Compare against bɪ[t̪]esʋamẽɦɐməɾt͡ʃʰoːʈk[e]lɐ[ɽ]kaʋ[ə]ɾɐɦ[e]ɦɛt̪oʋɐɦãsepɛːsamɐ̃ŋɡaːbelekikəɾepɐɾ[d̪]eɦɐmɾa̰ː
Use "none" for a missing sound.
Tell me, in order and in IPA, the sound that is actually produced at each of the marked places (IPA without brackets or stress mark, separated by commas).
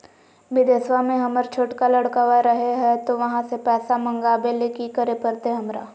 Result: d̪, a, ɽ, a, e, t̪